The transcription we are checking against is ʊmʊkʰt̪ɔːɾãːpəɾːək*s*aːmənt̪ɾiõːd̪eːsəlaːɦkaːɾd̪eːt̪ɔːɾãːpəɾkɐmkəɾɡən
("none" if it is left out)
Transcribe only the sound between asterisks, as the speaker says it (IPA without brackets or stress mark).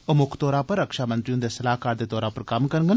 ʃ